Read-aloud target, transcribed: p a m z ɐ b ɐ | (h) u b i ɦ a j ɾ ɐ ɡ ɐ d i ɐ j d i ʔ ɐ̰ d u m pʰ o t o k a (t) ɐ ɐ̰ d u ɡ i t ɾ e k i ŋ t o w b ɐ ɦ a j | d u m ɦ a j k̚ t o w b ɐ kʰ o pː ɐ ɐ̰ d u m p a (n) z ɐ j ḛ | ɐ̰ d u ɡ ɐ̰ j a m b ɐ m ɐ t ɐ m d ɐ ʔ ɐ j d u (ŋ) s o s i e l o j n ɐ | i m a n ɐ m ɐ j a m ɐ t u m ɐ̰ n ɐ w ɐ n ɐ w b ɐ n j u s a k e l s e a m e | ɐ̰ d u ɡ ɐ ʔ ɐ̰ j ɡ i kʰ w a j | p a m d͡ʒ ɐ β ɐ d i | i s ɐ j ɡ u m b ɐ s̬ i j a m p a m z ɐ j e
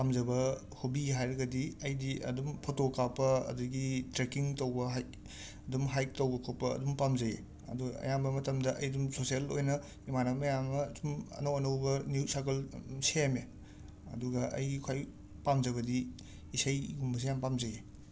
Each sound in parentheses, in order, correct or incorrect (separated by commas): correct, incorrect, incorrect, incorrect